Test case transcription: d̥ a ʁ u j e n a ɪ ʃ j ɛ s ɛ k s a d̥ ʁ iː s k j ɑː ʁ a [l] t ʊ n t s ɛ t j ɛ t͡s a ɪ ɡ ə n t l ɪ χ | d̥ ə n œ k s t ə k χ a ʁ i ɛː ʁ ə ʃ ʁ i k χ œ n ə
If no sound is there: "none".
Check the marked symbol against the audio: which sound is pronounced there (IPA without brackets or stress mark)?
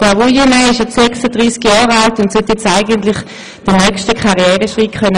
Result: l